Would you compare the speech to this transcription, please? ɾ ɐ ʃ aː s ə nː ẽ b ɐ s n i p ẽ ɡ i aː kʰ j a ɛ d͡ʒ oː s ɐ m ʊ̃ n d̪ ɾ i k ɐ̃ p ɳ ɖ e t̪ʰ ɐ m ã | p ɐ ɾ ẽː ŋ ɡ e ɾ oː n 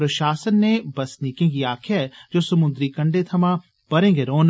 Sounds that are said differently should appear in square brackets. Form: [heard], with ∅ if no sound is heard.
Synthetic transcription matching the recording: ɾ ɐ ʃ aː s ə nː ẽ b ɐ s n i [k] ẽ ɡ i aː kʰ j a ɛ d͡ʒ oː s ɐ m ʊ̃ n d̪ ɾ i k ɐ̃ [∅] ɳ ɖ e t̪ʰ ɐ m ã | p ɐ ɾ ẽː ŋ ɡ e ɾ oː n